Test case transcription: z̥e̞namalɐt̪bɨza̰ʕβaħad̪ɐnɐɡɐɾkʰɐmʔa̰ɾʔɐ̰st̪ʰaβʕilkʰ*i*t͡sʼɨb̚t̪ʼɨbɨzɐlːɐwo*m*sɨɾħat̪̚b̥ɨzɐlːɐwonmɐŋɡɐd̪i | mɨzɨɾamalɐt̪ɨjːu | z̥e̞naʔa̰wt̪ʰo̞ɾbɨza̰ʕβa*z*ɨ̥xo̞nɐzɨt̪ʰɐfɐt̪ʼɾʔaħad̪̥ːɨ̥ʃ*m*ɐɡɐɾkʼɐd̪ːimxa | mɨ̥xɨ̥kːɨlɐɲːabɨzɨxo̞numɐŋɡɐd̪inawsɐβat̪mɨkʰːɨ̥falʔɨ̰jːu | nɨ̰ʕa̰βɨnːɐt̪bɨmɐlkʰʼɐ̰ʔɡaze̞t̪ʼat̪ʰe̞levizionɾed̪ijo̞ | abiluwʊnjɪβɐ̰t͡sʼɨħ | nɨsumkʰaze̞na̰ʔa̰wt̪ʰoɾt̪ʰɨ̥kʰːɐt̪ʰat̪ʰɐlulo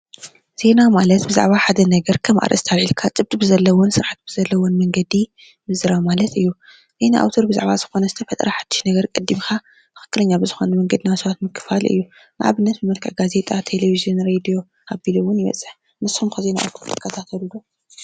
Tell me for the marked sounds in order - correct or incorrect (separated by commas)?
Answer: incorrect, incorrect, correct, incorrect